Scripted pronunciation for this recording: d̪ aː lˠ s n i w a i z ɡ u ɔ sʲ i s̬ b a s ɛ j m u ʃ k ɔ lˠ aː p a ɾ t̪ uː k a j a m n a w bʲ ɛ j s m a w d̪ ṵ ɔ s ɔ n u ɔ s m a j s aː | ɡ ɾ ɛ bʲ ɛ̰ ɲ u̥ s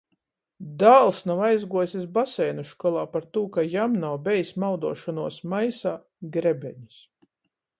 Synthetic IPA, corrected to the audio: d̪ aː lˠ s n a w a j z ɡ u ɔ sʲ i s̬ b a s ɛ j n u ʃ k ɔ lˠ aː p a ɾ t̪ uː k a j a m n a w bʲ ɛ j s m a w d̪ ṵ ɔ ʃ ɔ n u ɔ s m a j s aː | ɡ ɾ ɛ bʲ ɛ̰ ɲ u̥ s